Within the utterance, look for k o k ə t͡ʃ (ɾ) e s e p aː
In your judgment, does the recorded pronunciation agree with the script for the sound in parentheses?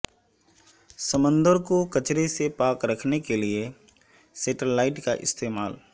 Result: yes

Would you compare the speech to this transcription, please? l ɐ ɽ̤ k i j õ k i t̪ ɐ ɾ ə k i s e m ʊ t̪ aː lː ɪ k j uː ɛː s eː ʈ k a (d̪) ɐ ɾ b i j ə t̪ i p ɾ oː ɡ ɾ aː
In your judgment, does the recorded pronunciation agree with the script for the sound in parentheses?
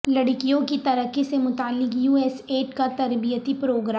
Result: no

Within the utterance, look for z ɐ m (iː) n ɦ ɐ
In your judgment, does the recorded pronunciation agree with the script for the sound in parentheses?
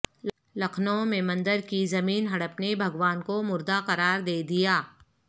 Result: yes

